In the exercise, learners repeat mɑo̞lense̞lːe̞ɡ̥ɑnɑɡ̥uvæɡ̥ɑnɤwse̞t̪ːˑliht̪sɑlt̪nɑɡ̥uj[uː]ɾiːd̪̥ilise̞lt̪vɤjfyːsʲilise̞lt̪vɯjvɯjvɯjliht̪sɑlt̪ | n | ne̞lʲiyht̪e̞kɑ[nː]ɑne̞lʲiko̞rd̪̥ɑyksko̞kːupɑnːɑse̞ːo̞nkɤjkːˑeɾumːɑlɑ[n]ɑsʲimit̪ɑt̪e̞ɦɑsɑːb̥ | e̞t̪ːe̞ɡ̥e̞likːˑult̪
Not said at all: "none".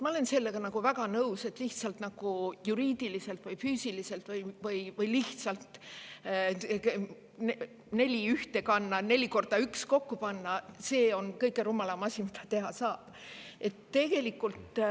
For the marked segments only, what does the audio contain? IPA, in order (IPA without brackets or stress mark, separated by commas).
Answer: u, nː, m